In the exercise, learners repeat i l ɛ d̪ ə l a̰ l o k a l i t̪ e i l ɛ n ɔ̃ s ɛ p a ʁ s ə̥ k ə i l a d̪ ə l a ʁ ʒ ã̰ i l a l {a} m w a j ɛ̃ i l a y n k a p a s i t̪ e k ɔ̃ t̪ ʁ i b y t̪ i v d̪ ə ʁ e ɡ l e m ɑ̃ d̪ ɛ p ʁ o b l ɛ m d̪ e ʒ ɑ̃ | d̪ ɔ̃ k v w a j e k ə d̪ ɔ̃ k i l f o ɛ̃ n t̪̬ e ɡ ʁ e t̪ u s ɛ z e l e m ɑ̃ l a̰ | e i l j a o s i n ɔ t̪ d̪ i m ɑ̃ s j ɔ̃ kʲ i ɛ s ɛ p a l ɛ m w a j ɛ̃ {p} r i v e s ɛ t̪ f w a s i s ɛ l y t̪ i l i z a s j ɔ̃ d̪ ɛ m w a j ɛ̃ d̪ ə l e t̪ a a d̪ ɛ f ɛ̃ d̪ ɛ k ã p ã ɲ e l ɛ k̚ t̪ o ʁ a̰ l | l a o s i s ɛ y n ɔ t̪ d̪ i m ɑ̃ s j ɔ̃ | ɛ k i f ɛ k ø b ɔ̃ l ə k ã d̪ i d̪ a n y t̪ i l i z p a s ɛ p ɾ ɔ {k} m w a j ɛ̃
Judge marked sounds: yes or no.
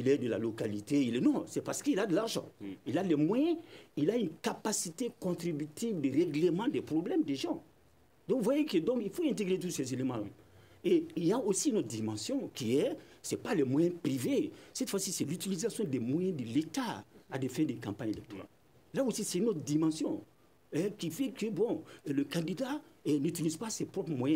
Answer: no, yes, no

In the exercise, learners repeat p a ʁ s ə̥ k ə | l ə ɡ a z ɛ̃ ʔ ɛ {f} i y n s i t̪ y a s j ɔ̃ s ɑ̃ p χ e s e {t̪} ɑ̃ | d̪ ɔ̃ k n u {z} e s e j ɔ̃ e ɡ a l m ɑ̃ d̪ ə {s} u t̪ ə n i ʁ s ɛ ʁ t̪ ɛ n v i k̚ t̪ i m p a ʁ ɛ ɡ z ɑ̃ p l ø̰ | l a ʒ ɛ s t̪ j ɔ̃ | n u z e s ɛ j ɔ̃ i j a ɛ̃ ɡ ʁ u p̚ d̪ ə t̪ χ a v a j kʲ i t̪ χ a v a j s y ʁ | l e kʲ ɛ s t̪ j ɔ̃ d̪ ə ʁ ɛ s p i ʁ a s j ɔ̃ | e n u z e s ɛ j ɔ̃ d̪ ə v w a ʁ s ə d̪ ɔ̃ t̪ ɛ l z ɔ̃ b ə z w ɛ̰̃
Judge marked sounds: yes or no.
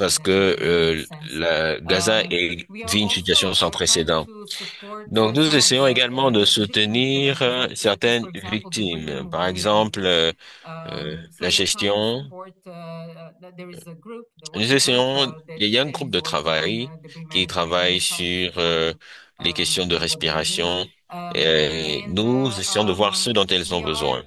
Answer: no, no, yes, yes

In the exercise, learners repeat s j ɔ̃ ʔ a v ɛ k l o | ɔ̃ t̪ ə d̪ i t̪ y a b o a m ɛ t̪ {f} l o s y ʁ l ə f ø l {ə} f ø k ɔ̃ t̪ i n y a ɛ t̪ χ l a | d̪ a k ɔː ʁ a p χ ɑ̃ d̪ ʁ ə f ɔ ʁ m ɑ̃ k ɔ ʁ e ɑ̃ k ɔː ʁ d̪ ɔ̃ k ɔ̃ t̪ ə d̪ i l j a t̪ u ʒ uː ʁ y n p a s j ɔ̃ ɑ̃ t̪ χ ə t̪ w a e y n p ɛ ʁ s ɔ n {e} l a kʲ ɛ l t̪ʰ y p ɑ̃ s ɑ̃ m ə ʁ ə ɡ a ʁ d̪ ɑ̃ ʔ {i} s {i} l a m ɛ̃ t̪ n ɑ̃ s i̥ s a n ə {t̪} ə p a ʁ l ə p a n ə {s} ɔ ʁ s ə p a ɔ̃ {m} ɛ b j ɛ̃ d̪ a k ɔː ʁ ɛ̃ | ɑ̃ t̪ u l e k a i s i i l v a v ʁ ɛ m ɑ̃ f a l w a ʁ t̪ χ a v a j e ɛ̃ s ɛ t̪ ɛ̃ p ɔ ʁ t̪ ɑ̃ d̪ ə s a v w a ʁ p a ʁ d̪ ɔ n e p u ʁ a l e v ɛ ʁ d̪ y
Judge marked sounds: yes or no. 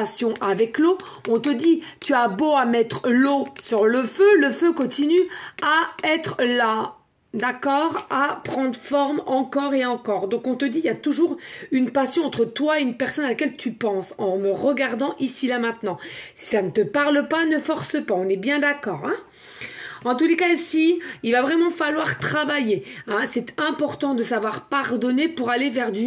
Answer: no, yes, no, yes, yes, yes, no, no

